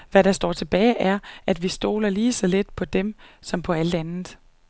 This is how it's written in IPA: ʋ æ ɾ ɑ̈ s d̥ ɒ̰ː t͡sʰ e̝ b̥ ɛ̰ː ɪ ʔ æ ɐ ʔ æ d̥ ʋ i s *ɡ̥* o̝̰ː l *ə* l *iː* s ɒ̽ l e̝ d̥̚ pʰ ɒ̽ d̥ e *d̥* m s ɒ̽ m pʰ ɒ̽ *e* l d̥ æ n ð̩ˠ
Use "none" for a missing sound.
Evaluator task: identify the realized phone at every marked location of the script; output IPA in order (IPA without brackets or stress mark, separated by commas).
d̥, ɐ, iː, none, æ